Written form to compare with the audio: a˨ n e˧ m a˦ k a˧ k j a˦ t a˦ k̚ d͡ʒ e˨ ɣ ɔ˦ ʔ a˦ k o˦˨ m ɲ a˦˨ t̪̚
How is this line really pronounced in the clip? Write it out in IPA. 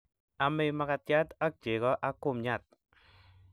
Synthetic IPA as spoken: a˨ m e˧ m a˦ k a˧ t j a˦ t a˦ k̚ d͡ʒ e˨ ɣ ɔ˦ ʔ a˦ k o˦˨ m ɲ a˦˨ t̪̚